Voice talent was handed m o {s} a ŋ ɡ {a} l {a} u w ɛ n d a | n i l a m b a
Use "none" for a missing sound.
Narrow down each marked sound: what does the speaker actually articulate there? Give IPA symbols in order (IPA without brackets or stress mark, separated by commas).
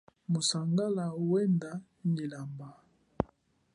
s, a, a